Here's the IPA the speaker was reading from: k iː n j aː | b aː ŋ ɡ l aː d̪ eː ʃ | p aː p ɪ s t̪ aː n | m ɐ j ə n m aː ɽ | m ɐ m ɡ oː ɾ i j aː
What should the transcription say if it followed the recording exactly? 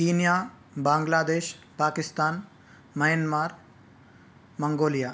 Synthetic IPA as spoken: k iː n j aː | b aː ŋ ɡ l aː d̪ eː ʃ | p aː k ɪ s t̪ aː n | m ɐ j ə n m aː ɾ | m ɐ ŋ ɡ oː l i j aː

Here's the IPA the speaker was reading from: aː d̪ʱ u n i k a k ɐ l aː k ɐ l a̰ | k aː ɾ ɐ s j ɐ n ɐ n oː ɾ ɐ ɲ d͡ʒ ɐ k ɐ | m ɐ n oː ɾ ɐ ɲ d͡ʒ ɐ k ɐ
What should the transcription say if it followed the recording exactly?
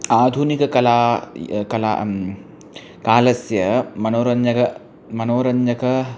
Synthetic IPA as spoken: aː d̪ʱ u n i k ɐ k ɐ l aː k ɐ l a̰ | k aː l ɐ s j ɐ m ɐ n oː ɾ ɐ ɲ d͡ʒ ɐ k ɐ | m ɐ n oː ɾ ɐ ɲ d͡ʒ ɐ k ɐ

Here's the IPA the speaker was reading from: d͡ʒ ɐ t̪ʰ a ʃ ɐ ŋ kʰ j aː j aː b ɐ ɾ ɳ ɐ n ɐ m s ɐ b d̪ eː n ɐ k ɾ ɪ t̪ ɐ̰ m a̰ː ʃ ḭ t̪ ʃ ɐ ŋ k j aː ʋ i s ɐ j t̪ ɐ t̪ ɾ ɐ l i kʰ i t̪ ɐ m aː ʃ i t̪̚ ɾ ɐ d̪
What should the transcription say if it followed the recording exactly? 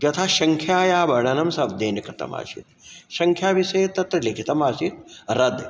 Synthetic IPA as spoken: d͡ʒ ɐ t̪ʰ a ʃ ɐ ŋ kʰ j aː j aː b ɐ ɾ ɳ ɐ n ɐ m s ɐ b d̪ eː n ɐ k ɾ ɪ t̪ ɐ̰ m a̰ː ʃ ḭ t̪ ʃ ɐ ŋ kʰ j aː ʋ i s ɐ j t̪ ɐ t̪ ɾ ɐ l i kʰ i t̪ ɐ m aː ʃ i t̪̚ ɾ ɐ d̪

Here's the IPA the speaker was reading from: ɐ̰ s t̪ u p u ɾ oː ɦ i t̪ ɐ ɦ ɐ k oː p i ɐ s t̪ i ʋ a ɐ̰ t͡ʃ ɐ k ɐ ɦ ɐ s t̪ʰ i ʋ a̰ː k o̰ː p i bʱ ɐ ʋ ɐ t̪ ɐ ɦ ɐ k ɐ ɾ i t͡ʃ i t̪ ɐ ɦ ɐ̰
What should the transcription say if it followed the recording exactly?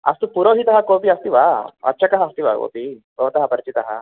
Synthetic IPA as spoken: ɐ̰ s t̪ u p u ɾ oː ɦ i t̪ ɐ ɦ ɐ k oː p i ɐ s t̪ i ʋ a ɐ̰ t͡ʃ ɐ k ɐ ɦ ɐ s t̪ i ʋ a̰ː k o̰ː p i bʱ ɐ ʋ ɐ t̪ ɐ ɦ ɐ p ɐ ɾ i t͡ʃ i t̪ ɐ ɦ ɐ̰

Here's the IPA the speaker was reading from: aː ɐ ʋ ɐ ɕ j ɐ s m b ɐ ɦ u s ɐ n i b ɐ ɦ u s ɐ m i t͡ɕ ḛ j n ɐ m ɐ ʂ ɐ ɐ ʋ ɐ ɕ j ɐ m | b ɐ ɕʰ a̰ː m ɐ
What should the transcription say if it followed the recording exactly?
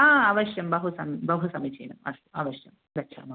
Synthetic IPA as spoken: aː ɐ ʋ ɐ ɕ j ɐ m b ɐ ɦ u s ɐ m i b ɐ ɦ u s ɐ m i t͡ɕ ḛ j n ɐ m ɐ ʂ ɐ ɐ ʋ ɐ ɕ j ɐ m | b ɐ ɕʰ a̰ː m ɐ

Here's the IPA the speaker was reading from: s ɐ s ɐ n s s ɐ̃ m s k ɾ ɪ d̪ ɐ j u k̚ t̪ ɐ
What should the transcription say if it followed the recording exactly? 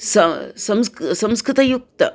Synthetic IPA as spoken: s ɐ s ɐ m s s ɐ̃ m s k ɾ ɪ t̪ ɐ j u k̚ t̪ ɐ

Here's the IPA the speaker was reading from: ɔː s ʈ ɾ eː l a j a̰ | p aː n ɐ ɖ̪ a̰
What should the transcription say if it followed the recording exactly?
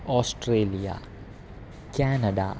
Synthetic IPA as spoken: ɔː s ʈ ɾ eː l i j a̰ | k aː n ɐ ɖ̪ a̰

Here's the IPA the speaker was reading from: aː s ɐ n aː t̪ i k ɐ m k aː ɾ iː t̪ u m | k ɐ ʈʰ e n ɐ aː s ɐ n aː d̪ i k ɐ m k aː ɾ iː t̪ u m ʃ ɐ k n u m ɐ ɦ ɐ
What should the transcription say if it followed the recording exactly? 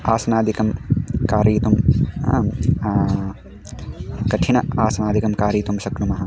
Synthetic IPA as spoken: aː s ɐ n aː d̪ i k ɐ m k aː ɾ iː t̪ u m | k ɐ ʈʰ i n ɐ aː s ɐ n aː d̪ i k ɐ m k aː ɾ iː t̪ u m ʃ ɐ k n u m ɐ ɦ ɐ

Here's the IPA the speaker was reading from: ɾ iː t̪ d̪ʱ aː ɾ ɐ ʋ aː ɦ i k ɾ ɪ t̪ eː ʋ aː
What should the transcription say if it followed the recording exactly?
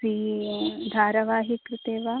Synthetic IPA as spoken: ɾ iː d̪ʱ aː ɾ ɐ ʋ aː ɦ i k ɾ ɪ t̪ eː ʋ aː

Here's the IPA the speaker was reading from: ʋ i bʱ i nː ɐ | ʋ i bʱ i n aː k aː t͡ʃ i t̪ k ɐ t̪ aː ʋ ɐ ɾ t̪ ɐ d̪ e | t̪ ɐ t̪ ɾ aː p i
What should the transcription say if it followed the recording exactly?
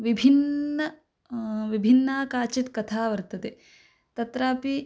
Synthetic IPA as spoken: ʋ i bʱ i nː ɐ | ʋ i bʱ i nː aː k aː t͡ʃ i t̪ k ɐ t̪ʰ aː ʋ ɐ ɾ t̪ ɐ t̪ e | t̪ ɐ t̪ ɾ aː p i

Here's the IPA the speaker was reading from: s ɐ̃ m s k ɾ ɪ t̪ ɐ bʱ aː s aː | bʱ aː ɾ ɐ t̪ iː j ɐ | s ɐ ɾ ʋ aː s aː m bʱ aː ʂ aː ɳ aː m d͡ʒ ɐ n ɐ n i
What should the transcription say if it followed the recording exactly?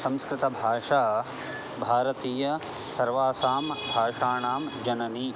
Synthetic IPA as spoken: s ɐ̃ m s k ɾ ɪ t̪ ɐ bʱ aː ʂ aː | bʱ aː ɾ ɐ t̪ iː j ɐ | s ɐ ɾ ʋ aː s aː m bʱ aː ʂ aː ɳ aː m d͡ʒ ɐ n ɐ n i

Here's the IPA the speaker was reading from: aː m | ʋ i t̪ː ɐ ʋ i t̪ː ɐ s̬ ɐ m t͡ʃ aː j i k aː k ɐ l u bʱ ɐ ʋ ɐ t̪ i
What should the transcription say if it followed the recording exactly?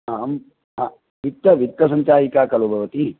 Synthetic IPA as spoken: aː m | ʋ i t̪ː ɐ ʋ i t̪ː ɐ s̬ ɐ ɲ t͡ʃ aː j i k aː k ɐ l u bʱ ɐ ʋ ɐ t̪ i

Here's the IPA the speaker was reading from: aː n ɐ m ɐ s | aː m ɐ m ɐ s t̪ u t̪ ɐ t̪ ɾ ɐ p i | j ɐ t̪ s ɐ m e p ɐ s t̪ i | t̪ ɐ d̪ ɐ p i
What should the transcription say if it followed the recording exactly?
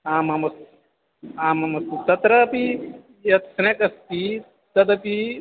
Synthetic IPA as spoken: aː m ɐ m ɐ s | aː m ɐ m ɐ s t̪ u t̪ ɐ t̪ ɾ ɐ p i | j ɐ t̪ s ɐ n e k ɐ s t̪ i | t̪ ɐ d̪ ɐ p i

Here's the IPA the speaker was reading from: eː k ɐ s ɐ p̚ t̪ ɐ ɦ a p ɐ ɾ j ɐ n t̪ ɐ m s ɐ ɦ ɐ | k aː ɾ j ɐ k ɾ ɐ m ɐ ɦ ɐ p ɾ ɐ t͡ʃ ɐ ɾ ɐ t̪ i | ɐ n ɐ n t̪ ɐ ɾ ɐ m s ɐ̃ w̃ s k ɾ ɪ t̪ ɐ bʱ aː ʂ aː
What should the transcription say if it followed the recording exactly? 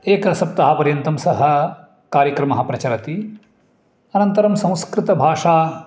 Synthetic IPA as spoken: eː k ɐ s ɐ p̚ t̪ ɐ ɦ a p ɐ ɾ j ɐ n t̪ ɐ m s ɐ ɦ ɐ | k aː ɾ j ɐ k ɾ ɐ m ɐ ɦ ɐ p ɾ ɐ t͡ʃ ɐ ɾ ɐ t̪ i | ɐ n ɐ n t̪ ɐ ɾ ɐ m s ɐ̃ w̃ s k ɾ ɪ t̪ ɐ bʱ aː ʂ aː

